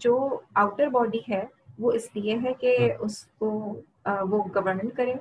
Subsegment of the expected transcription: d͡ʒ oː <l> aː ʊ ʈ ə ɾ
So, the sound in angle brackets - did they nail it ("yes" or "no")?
no